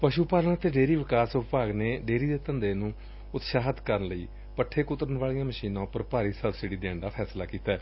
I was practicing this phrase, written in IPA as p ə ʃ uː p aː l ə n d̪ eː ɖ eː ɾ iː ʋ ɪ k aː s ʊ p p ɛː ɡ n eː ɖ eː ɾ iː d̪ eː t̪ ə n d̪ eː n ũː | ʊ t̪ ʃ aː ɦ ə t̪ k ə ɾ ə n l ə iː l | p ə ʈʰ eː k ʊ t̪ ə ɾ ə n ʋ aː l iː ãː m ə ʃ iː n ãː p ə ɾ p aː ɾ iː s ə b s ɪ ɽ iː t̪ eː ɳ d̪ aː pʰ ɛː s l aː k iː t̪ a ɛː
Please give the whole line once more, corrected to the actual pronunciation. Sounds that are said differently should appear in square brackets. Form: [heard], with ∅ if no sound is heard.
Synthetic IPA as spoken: p ə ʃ uː p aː l ə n [t̪] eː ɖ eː ɾ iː ʋ ɪ k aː s ʊ p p [aː] ɡ n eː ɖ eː ɾ iː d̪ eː t̪ ə n d̪ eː n ũː | ʊ t̪ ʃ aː ɦ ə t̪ k ə ɾ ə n l ə iː [∅] | p ə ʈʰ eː k ʊ t̪ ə ɾ ə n ʋ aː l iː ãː m ə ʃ iː n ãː p ə ɾ p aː ɾ iː s ə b s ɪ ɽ iː [d̪] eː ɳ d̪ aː pʰ ɛː s l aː k iː t̪ a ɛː